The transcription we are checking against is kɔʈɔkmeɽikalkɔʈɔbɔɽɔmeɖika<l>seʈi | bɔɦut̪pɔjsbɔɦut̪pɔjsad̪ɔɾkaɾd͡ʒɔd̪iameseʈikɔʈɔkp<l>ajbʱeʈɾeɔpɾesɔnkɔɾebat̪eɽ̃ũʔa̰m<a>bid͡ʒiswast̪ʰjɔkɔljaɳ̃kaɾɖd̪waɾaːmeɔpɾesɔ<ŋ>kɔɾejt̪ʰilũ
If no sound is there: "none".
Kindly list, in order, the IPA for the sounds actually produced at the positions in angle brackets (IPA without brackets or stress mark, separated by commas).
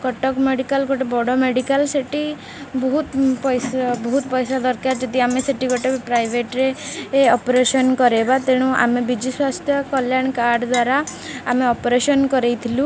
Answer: l, ɾ, e, n